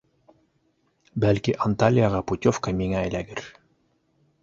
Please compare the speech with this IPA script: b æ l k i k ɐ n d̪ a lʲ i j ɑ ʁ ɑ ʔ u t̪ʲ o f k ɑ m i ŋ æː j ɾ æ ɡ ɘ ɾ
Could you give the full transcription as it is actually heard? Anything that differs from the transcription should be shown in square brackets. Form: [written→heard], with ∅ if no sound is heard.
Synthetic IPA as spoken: b æ l k i [k→ʔ] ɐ n [d̪→t̪] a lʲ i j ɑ ʁ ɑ [ʔ→p] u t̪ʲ o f k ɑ m i ŋ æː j [ɾ→l] æ ɡ ɘ ɾ